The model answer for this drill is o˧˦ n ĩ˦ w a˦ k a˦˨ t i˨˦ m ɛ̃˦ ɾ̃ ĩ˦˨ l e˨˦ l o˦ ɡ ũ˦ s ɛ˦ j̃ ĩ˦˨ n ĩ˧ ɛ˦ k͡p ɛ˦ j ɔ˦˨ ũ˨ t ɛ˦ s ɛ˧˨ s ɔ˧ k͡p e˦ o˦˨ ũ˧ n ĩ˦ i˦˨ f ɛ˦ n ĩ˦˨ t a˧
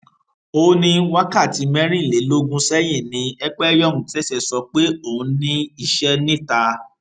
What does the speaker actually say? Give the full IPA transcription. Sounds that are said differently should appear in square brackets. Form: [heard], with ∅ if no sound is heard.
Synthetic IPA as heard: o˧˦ n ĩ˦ w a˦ k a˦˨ t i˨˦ m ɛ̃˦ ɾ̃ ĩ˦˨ l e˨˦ l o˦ ɡ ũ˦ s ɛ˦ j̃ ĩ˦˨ n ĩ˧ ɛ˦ k͡p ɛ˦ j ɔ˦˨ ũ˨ t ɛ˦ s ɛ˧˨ s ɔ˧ k͡p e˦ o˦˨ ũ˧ n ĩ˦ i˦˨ [ʃ] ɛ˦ n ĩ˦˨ t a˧